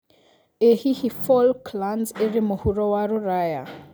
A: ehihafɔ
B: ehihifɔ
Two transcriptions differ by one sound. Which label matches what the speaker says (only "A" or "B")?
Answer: B